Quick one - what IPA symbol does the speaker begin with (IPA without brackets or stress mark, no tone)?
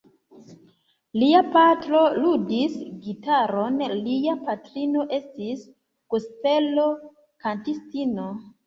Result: l